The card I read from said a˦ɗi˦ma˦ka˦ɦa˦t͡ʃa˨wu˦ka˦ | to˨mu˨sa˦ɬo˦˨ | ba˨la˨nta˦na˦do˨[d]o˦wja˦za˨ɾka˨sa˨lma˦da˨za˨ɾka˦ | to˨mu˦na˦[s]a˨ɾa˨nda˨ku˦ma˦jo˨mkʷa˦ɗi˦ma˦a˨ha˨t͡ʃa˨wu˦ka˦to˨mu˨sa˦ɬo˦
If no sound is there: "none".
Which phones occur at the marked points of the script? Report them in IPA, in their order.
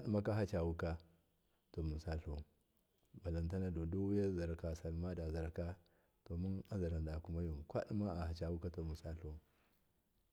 d, z

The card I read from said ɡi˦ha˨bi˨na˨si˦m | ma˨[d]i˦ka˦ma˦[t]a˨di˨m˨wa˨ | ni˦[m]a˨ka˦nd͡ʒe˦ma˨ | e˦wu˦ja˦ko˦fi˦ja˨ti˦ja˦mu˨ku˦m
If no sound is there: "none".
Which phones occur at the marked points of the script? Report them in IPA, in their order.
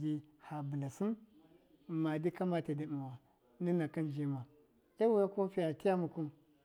d, t, n

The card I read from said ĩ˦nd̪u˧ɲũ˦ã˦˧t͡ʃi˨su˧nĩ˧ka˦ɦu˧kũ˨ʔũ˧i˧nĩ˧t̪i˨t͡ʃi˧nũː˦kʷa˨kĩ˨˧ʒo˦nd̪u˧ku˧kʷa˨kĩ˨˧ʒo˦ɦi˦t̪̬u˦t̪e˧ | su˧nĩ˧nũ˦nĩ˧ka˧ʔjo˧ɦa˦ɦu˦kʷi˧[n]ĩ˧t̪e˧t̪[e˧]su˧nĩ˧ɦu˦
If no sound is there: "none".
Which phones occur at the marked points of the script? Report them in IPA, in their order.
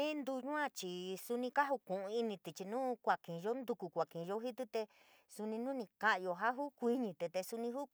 ɲ, e˧

